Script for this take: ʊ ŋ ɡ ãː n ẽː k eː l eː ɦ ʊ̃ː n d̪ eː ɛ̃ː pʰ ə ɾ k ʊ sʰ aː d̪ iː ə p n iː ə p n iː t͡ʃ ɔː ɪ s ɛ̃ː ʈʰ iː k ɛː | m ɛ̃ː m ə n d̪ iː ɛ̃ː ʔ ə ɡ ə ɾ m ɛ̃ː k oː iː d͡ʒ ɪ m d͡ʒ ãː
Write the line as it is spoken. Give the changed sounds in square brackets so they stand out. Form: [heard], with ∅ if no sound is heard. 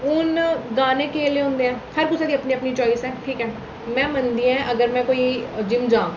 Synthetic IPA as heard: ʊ [n] ɡ [aː] n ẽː k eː l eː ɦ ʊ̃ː n d̪ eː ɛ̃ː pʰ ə ɾ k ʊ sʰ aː d̪ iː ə p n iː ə p n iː t͡ʃ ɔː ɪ s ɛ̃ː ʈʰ iː k ɛː | m ɛ̃ː m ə n d̪ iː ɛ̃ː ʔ ə ɡ ə ɾ m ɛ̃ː k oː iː d͡ʒ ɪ m d͡ʒ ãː